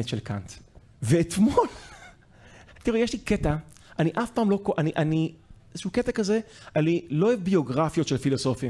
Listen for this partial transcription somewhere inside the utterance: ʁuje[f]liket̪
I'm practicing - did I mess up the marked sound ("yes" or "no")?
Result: yes